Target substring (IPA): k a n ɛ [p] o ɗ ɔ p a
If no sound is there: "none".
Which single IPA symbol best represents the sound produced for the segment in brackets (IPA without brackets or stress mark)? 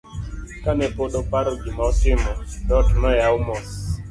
p